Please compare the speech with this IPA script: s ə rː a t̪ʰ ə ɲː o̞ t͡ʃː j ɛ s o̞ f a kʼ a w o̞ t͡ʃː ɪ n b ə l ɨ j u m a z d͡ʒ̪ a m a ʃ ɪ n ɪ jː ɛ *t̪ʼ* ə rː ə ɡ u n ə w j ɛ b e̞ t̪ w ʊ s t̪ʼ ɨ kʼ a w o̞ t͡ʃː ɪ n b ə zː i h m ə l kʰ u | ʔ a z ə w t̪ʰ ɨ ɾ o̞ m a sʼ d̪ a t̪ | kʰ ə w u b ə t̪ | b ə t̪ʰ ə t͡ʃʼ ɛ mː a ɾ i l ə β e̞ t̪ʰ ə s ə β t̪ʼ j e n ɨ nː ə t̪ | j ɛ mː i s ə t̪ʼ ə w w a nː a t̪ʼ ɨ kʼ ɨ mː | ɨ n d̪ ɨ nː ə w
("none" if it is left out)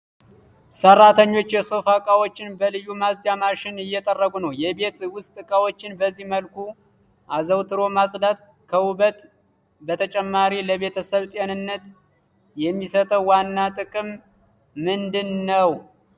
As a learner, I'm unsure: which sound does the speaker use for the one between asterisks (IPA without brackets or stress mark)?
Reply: t̪ʼ